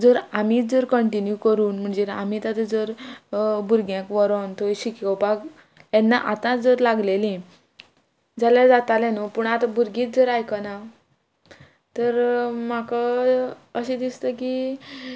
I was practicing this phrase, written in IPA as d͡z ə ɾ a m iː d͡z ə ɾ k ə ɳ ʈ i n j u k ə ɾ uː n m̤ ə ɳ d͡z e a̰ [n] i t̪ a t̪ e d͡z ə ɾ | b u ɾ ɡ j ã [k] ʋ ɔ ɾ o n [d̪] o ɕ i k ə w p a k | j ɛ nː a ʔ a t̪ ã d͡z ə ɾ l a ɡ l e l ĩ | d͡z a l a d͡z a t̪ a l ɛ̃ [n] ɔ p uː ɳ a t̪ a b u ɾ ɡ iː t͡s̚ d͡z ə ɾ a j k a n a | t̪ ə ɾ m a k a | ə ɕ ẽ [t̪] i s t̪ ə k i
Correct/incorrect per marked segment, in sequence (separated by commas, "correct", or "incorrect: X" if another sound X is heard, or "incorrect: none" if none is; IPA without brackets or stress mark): incorrect: m, correct, incorrect: t̪, correct, incorrect: d̪